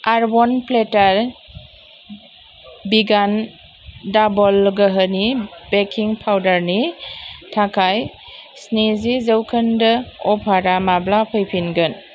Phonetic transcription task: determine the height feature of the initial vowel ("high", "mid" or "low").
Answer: low